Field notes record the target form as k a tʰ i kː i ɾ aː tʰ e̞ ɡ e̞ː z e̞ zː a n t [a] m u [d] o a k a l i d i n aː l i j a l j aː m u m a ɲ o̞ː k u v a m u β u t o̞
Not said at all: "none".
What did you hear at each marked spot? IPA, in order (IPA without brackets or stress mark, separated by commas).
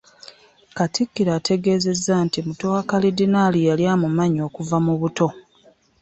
i, t